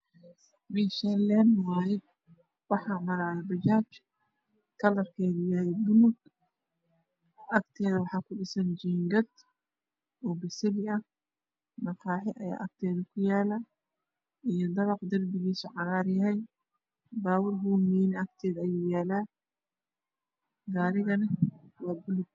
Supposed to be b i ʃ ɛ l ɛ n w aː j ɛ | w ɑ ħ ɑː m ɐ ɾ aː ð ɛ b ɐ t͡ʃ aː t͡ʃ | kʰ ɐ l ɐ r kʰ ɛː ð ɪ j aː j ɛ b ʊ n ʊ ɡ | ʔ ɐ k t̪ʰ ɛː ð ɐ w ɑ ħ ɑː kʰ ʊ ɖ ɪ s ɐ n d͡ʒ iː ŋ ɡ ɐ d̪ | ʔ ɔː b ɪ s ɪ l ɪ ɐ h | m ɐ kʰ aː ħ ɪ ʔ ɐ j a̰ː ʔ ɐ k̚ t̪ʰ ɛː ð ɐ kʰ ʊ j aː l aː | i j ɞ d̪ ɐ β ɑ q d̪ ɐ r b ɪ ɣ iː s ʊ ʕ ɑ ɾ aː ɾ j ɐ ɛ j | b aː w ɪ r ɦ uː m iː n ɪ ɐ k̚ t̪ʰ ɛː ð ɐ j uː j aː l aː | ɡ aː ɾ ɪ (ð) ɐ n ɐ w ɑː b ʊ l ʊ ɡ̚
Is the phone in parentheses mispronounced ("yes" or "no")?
yes